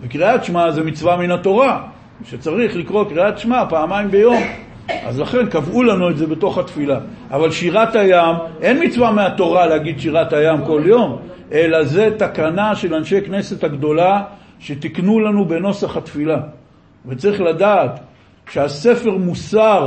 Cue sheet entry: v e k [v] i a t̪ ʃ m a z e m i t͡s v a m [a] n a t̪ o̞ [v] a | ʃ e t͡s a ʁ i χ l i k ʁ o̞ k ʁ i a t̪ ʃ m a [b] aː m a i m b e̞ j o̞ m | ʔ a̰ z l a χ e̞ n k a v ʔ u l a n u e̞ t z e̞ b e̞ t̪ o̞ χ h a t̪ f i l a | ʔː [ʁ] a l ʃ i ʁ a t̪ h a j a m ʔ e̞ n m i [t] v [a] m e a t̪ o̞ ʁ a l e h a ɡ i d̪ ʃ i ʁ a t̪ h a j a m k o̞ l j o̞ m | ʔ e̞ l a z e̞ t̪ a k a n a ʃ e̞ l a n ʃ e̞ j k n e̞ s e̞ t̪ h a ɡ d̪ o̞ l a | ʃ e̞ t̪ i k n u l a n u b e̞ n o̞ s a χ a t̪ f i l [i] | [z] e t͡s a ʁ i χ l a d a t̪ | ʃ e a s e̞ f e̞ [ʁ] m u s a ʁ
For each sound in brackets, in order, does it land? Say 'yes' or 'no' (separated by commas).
no, no, no, no, no, no, yes, no, no, yes